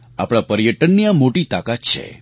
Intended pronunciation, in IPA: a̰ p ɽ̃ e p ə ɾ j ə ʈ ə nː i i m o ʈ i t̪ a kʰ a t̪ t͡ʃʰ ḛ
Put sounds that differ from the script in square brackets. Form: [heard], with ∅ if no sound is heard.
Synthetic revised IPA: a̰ p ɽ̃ [a] p ə ɾ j ə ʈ ə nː i [a] m o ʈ i t̪ a [k] a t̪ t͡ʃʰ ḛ